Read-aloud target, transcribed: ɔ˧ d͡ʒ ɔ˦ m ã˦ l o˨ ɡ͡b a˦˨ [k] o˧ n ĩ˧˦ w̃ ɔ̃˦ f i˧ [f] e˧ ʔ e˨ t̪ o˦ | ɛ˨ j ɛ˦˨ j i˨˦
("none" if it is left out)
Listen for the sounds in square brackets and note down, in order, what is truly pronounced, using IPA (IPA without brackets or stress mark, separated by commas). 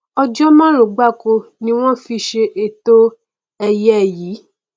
k, ʃ